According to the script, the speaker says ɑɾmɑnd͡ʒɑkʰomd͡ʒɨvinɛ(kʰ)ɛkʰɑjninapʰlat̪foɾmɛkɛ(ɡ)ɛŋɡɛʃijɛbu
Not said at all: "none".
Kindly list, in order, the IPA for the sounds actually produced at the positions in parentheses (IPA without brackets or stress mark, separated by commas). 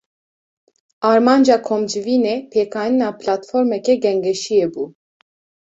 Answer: pʰ, ɡ